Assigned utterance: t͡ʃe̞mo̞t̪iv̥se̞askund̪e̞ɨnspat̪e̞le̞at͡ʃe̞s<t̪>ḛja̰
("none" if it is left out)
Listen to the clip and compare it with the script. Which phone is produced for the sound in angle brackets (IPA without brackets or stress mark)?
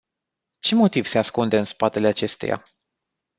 t̪